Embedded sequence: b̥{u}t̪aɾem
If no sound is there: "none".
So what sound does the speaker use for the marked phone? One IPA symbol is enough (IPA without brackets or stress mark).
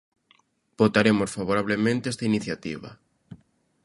o